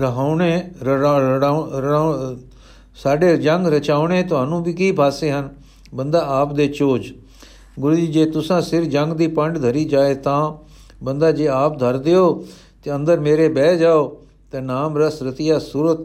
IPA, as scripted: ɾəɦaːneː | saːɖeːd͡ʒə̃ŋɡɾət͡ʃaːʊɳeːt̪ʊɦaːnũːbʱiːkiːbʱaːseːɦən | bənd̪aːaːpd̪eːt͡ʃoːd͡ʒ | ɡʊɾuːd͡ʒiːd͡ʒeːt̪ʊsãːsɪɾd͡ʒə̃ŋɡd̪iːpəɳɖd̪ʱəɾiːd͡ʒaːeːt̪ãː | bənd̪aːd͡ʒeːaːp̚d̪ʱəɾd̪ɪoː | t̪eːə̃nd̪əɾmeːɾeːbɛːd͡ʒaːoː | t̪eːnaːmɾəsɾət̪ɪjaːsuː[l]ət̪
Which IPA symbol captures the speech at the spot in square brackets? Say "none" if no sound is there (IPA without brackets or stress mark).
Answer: ɾ